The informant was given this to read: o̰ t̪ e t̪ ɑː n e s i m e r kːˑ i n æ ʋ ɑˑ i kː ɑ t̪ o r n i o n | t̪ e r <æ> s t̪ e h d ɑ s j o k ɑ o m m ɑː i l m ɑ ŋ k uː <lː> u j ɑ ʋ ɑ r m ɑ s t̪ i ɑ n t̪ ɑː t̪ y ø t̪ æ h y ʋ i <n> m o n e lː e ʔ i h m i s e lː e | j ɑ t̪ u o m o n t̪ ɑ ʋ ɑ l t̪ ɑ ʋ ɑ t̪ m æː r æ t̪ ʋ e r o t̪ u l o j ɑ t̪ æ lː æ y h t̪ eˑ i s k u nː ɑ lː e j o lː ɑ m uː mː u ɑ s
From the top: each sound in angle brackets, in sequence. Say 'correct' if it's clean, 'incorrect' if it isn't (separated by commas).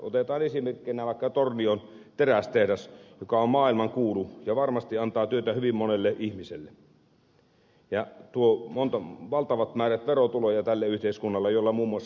correct, incorrect, incorrect